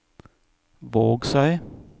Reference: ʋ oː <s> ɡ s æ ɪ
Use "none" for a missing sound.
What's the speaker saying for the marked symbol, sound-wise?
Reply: none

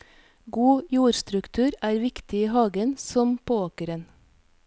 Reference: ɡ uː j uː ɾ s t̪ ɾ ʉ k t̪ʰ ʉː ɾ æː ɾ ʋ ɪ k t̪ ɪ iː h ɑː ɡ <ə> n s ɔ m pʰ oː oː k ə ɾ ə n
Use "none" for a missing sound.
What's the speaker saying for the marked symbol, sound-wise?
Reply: ə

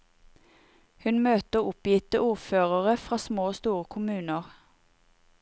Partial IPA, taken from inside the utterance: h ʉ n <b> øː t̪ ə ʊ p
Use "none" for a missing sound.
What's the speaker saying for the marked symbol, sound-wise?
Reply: m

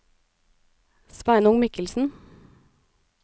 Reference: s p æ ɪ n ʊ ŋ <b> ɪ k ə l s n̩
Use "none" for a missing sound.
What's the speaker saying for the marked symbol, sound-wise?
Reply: m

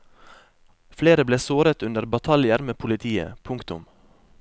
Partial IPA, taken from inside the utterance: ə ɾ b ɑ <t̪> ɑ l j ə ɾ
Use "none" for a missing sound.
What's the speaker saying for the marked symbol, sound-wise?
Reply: t̪ʰ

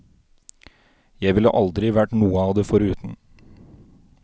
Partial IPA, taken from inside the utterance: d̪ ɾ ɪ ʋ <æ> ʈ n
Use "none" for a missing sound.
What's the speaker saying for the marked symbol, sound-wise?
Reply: æ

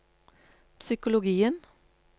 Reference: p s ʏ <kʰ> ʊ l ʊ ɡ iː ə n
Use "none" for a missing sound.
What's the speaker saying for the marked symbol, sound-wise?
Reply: k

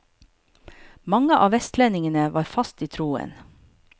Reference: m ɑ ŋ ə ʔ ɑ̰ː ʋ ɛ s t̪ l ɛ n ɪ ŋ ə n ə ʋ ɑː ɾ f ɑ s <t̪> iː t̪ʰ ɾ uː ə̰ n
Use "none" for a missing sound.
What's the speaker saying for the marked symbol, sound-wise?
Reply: t̪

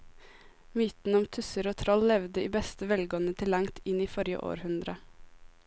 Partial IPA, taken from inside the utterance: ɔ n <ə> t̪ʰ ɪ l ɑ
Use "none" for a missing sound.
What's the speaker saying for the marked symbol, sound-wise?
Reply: ə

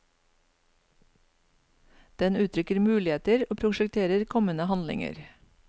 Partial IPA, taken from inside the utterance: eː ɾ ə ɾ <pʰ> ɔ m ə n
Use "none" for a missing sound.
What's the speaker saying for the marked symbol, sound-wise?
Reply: kʰ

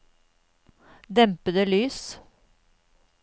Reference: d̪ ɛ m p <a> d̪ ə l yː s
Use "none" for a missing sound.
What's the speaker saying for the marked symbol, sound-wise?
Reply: ə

